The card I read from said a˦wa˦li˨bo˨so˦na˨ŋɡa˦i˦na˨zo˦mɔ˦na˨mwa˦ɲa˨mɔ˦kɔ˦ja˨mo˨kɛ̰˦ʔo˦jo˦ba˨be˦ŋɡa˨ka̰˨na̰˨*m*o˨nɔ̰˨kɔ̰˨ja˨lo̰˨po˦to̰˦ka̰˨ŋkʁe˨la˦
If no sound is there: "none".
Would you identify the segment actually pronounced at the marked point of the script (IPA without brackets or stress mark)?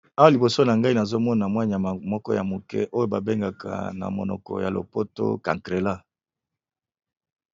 m